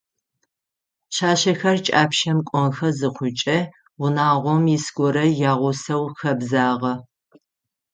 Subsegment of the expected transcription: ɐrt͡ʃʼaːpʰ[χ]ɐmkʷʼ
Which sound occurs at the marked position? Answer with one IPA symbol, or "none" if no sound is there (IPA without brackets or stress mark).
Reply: ʃ